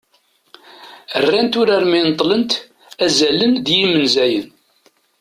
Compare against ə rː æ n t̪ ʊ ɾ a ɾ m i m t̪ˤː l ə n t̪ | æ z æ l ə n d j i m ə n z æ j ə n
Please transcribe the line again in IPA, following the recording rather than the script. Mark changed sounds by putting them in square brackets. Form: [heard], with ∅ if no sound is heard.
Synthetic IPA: ə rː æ n t̪ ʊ ɾ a ɾ m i [n] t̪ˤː l ə n t̪ | æ z æ l ə n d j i m ə n z æ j ə n